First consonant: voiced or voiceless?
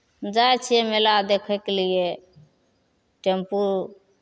voiced